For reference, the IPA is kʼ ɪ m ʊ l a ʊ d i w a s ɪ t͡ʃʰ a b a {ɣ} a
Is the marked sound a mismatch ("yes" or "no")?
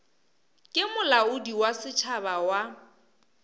yes